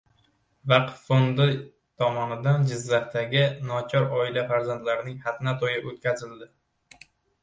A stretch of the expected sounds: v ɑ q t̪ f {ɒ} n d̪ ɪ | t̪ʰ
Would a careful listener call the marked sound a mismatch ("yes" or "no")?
yes